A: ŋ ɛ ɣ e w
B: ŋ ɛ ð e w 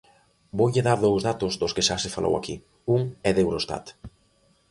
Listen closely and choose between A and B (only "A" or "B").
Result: B